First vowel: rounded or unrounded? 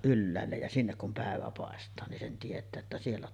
rounded